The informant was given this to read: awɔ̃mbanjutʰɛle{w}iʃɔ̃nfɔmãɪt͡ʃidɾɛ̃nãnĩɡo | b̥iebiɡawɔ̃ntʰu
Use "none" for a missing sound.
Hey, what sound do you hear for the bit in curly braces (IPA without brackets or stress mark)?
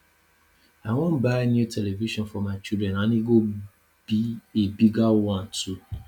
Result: v